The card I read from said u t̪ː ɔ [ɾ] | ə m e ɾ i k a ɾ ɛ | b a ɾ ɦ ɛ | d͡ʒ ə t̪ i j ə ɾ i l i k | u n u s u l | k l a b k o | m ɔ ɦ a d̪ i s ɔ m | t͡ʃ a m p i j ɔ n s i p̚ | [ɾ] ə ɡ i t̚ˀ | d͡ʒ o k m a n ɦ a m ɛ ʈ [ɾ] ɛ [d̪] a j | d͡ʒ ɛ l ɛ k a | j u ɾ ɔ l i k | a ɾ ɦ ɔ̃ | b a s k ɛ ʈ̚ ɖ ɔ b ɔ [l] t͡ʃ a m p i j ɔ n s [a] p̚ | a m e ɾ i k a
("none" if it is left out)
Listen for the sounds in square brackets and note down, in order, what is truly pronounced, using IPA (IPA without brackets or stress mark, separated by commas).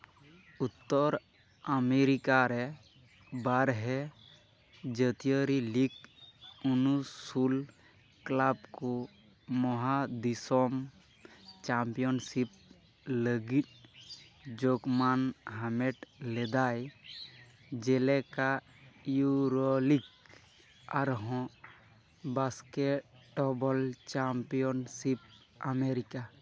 ɾ, l, l, d̪, l, i